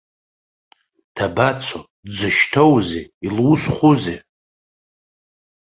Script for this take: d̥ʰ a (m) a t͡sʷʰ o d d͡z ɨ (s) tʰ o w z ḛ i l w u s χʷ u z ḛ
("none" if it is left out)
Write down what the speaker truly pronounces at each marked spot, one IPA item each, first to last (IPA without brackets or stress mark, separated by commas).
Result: b, ʃ